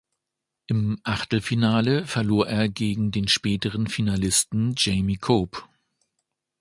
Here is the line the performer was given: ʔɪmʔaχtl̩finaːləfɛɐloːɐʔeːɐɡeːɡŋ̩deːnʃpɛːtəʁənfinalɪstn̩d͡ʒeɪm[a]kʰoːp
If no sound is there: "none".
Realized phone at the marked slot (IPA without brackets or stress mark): i